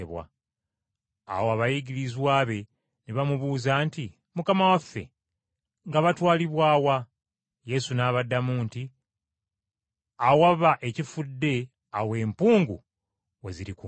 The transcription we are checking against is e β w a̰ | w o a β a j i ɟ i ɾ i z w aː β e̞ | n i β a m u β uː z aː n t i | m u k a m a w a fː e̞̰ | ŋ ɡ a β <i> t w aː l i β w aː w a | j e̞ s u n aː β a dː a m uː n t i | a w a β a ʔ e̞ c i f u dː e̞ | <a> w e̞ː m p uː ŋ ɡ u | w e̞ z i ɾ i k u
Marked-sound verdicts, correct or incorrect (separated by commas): incorrect, correct